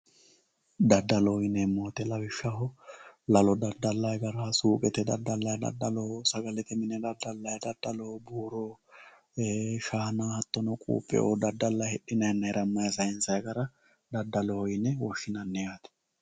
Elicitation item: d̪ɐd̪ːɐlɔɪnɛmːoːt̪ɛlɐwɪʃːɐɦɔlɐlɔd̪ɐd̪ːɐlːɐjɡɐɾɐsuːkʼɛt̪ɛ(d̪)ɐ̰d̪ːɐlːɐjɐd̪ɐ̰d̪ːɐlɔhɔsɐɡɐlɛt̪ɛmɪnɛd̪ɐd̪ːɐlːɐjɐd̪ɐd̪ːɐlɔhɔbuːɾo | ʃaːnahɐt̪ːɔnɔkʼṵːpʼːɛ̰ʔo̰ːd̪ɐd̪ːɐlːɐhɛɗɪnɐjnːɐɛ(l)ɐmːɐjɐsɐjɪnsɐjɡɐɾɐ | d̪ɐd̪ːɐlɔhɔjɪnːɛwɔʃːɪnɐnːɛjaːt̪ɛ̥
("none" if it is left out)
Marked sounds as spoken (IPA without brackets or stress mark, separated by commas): d̪, ɾ